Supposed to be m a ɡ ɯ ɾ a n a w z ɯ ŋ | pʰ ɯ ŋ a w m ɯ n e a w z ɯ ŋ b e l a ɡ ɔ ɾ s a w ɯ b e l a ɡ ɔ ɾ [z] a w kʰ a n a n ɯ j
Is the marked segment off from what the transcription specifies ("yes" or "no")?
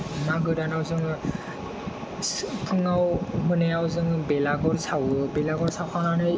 yes